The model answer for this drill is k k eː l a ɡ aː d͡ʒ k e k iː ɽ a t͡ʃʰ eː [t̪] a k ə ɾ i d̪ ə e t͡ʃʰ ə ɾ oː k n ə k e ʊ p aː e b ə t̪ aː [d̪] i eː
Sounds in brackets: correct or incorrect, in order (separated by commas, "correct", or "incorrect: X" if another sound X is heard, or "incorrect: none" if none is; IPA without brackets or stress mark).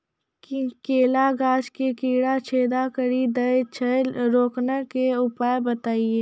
incorrect: d̪, incorrect: none